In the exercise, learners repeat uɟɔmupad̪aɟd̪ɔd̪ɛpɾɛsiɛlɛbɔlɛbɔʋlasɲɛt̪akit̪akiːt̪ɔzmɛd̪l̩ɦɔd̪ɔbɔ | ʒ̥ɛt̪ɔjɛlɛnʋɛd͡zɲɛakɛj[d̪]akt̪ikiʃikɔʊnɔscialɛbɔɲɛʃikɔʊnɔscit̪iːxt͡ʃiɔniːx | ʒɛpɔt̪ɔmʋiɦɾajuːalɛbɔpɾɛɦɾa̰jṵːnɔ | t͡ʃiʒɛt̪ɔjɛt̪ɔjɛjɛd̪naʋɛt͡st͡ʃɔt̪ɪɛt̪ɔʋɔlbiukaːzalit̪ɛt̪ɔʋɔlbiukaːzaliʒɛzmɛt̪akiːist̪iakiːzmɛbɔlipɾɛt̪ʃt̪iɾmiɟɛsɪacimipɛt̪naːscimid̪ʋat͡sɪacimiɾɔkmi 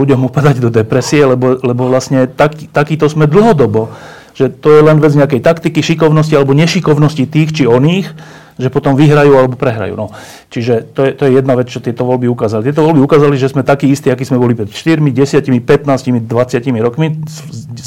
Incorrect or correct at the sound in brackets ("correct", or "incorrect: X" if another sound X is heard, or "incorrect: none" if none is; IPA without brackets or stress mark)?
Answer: incorrect: t̪